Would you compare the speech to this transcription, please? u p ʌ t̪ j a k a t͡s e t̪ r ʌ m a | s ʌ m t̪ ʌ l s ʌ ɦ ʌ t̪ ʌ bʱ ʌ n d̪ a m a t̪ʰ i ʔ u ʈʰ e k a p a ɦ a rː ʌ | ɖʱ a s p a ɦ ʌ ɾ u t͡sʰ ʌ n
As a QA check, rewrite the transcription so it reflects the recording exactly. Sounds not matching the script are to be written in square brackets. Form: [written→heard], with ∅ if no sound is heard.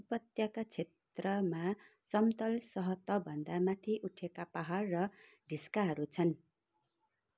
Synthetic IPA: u p ʌ t̪ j a k a [t͡s→t͡sʰ] e t̪ r ʌ m a | s ʌ m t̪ ʌ l s ʌ ɦ ʌ t̪ ʌ bʱ ʌ n d̪ a m a t̪ʰ i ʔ u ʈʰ e k a p a ɦ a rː ʌ | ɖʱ [a→i] s [p→k] a ɦ ʌ ɾ u t͡sʰ ʌ n